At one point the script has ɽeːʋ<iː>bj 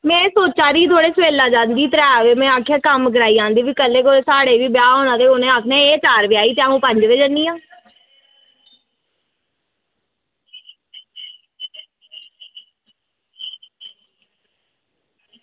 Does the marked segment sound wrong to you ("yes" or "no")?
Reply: no